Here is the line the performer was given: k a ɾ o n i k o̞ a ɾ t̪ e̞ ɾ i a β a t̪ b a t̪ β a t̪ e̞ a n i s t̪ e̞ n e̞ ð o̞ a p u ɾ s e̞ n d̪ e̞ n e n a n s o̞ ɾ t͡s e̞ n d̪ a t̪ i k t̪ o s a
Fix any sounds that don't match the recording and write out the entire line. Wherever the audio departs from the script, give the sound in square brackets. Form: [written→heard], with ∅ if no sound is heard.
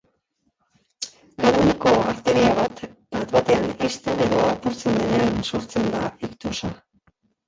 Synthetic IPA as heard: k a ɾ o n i k o̞ a ɾ t̪ e̞ ɾ i a β a t̪ b a t̪ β a t̪ e̞ a n i s t̪ e̞ n e̞ ð o̞ a p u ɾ [s→t͡s] e̞ n d̪ e̞ n e [n→∅] a n s o̞ ɾ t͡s e̞ n d̪ a [t̪→∅] i k t̪ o s a